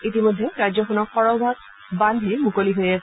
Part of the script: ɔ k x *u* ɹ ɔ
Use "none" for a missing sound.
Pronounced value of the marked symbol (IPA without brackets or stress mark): ɔ